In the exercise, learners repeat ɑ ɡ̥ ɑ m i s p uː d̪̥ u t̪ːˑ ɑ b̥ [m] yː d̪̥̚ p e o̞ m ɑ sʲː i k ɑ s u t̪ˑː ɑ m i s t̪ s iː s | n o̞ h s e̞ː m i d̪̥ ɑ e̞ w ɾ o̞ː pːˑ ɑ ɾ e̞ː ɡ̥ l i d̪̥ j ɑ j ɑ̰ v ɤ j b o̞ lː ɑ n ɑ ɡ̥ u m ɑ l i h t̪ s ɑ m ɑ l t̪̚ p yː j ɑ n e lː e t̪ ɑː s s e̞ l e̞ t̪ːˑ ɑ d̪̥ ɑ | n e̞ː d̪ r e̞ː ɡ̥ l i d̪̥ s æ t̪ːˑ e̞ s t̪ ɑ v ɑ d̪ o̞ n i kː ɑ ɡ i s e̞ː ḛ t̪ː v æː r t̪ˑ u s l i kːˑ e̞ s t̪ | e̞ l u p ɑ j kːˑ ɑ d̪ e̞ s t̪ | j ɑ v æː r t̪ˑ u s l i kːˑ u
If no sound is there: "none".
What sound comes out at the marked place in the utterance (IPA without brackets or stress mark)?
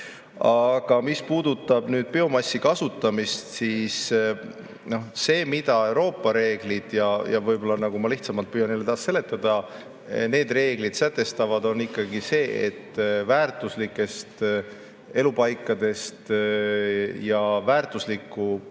n